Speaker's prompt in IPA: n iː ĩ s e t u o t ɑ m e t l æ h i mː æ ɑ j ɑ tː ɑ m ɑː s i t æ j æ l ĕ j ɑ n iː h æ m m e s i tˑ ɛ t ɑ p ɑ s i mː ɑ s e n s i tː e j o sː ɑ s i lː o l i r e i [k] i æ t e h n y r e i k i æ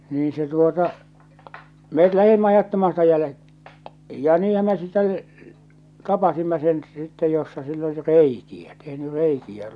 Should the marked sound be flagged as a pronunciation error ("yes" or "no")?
no